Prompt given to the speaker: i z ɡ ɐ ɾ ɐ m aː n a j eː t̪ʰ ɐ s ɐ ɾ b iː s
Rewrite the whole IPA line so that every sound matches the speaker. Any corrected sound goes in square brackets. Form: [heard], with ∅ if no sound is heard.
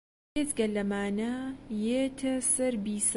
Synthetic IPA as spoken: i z ɡ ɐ [l] ɐ m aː n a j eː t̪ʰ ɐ s ɐ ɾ b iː s